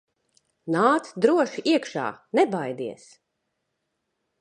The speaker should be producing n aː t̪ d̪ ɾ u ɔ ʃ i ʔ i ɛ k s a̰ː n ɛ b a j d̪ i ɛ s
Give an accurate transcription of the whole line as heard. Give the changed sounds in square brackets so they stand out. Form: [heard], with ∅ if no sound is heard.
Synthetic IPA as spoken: n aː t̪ d̪ ɾ u ɔ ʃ i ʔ i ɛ k [ʃ] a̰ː n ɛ b a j d̪ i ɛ s